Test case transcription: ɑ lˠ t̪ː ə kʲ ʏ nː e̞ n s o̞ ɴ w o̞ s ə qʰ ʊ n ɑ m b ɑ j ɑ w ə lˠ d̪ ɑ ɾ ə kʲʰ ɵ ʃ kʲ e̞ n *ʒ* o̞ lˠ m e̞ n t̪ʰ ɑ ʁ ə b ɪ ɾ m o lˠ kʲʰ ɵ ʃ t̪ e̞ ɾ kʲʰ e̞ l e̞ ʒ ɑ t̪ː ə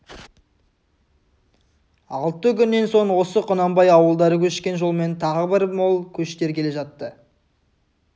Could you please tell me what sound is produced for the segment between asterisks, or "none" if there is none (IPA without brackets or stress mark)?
ʒ